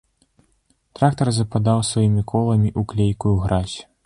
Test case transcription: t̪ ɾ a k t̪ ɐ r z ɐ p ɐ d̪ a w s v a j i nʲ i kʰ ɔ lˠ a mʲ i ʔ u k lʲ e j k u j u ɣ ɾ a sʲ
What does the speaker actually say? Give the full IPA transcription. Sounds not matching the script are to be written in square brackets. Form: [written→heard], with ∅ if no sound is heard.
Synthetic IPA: t̪ ɾ a k t̪ ɐ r z ɐ p [ɐ→a] d̪ a w s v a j i [nʲ→mʲ] i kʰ ɔ lˠ [a→ɐ] mʲ i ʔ u k lʲ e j k u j u ɣ ɾ a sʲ